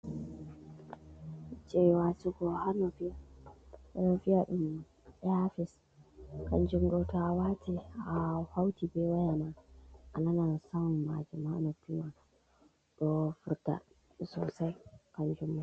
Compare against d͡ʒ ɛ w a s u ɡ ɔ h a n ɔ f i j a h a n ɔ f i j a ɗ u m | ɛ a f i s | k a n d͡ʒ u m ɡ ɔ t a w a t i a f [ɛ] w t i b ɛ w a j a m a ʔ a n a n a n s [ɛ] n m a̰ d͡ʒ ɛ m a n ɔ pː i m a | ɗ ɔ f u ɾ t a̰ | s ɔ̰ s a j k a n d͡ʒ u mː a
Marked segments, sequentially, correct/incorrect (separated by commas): incorrect, incorrect